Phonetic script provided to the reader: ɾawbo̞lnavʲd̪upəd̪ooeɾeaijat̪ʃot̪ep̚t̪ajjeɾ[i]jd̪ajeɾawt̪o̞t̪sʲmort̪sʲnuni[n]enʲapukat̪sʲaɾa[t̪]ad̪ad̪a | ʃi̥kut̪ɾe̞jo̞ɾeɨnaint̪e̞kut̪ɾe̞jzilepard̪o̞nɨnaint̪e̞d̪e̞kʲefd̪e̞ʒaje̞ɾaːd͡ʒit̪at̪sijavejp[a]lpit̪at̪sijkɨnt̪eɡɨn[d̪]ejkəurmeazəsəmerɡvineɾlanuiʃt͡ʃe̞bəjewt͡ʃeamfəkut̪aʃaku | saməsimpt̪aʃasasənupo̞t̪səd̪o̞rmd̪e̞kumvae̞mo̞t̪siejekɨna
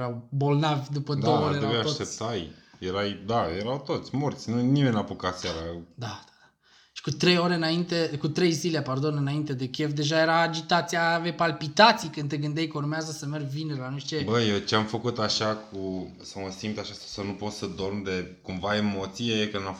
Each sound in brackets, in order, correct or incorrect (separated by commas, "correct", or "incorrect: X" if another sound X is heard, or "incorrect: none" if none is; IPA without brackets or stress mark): incorrect: a, incorrect: m, incorrect: d̪, correct, correct